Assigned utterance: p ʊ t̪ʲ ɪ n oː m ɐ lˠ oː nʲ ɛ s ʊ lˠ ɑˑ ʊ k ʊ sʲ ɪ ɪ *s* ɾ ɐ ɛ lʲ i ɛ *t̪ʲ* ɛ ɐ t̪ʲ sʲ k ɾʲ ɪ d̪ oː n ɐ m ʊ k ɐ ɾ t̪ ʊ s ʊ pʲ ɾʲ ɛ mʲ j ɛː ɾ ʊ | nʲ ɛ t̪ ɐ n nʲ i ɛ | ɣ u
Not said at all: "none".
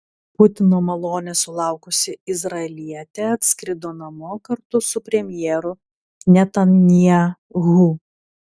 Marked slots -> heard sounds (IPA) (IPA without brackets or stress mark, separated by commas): z, t̪ʲ